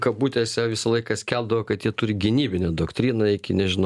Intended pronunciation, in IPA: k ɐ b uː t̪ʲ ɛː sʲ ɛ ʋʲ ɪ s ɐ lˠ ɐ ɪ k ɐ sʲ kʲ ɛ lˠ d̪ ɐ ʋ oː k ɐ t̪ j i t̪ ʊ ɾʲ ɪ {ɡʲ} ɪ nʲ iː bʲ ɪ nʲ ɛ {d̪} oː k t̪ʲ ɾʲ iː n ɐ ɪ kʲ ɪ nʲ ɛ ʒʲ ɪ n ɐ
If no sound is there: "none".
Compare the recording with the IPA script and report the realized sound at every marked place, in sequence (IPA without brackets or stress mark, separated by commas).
ɡʲ, d̪